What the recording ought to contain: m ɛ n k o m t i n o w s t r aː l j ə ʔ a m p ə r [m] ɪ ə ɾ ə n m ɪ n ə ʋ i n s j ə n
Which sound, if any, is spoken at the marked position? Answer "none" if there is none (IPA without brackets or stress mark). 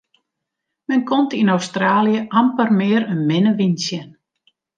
m